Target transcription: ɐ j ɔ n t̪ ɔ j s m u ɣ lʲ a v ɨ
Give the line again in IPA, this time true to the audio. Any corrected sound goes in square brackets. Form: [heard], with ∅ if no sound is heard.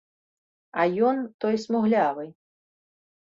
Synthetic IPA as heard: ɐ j ɔ n t̪ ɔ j s m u ɣ lʲ a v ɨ